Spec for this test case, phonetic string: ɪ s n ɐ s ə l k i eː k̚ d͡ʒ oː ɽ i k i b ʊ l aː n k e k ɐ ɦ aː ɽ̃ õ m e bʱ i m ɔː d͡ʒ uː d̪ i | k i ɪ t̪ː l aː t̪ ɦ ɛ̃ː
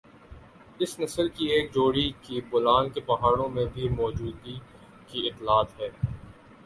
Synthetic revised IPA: ɪ s n ɐ s ə l k i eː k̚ d͡ʒ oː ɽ i k i b ʊ l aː n k e p ɐ ɦ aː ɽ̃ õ m ẽ bʱ i m ɔː d͡ʒ uː d̪ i | k i ɪ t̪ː l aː t̪ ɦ ɛː